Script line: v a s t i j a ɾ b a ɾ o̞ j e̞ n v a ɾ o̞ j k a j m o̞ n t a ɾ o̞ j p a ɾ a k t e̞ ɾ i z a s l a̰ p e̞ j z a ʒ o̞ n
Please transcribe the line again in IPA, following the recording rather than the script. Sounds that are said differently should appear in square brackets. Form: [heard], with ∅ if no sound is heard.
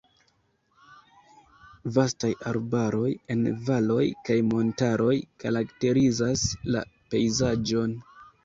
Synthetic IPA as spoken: v a s t [a] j a ɾ b a ɾ o̞ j e̞ n v a [l] o̞ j k a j m o̞ n t a ɾ o̞ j [k] a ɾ a k t e̞ ɾ i z a s l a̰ p e̞ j z a [d͡ʒ] o̞ n